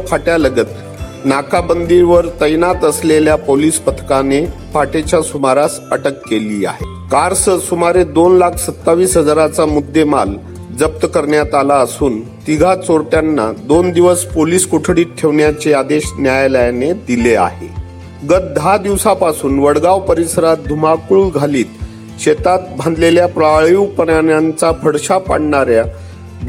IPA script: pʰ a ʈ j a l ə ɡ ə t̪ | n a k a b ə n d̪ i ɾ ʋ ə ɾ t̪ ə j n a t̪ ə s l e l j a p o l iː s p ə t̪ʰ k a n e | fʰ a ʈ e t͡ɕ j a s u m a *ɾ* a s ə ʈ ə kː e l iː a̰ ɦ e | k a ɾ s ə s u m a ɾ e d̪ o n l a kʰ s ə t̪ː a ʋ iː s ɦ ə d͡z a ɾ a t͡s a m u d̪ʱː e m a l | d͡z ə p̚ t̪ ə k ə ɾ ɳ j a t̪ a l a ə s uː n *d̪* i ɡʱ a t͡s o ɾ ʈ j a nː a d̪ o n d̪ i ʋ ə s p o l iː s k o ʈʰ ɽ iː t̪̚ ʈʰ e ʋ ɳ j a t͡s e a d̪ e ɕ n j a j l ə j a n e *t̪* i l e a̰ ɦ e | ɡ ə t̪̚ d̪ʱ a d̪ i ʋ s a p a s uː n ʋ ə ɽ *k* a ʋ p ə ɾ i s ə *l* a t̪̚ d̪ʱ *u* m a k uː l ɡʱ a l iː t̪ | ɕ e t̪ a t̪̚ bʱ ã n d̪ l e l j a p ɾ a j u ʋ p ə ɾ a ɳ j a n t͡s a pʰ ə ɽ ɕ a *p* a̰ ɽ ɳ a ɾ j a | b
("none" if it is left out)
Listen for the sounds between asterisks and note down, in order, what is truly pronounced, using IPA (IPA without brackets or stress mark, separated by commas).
ɾ, t̪, d̪, ɡ, ɾ, u, p